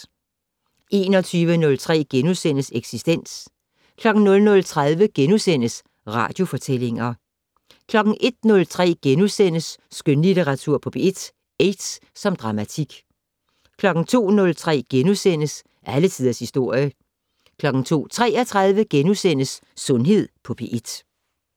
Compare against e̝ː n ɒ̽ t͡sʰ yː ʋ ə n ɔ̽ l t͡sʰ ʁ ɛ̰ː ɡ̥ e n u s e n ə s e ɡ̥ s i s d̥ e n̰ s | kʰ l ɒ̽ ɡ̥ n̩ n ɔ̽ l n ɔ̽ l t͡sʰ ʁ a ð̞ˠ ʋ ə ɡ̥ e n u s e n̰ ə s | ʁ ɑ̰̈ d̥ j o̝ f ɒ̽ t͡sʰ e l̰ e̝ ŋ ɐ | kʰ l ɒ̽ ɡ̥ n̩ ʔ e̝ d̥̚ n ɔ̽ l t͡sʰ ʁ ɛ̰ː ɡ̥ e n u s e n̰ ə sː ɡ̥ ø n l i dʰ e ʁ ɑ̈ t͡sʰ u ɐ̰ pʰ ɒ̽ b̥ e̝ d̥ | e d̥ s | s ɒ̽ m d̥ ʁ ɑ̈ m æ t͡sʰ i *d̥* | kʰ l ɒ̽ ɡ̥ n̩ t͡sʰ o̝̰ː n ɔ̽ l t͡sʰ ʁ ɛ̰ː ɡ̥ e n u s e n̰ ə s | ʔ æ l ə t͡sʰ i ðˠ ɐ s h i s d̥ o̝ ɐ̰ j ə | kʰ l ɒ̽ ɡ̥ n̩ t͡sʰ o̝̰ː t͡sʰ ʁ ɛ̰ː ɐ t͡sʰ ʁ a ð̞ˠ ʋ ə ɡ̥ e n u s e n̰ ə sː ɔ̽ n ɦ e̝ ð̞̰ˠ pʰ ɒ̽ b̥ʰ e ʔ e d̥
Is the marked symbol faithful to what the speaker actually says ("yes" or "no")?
no